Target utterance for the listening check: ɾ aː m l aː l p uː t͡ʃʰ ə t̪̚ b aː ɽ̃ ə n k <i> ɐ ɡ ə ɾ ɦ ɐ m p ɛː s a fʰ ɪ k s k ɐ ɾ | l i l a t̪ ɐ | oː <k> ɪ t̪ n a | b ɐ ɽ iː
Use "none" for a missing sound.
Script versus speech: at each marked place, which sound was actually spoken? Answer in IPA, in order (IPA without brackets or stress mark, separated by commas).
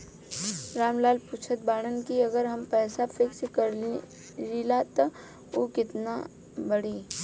i, k